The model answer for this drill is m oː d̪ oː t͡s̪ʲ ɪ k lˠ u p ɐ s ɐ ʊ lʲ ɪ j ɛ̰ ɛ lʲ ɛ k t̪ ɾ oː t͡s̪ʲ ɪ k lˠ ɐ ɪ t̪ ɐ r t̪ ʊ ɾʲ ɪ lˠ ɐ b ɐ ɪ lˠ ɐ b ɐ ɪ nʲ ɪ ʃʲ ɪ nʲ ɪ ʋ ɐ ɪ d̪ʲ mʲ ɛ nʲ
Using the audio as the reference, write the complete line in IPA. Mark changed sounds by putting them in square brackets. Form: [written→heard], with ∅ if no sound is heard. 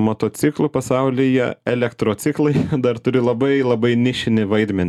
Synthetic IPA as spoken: m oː [d̪→t̪] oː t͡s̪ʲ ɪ k lˠ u p ɐ s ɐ ʊ lʲ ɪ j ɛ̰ ɛ lʲ ɛ k t̪ ɾ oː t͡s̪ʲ ɪ k lˠ ɐ ɪ [t̪→d̪] ɐ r t̪ ʊ ɾʲ ɪ lˠ ɐ b ɐ ɪ lˠ ɐ b ɐ ɪ nʲ ɪ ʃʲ ɪ nʲ ɪ ʋ ɐ ɪ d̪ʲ mʲ ɛ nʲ